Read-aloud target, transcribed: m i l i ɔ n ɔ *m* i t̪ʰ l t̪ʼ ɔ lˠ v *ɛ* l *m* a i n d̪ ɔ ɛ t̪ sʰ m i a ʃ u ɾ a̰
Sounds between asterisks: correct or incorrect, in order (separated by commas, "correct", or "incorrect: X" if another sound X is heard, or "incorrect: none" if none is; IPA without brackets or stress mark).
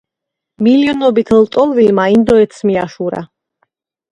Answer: incorrect: b, incorrect: i, correct